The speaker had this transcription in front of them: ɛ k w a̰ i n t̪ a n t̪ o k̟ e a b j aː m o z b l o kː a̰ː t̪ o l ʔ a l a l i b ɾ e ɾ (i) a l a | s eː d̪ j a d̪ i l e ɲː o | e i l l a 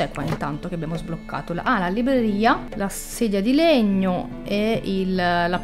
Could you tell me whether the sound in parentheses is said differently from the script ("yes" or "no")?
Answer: yes